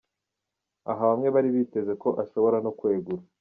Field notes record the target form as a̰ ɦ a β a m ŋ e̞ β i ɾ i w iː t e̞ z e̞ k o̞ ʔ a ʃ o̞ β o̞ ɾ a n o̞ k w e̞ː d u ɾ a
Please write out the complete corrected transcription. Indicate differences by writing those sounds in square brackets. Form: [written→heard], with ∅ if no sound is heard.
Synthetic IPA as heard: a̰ ɦ a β a m ŋ e̞ β [i→a] ɾ i [w→β] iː t e̞ z e̞ k o̞ ʔ a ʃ o̞ β o̞ ɾ a n o̞ k w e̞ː [d→ɡ] u ɾ a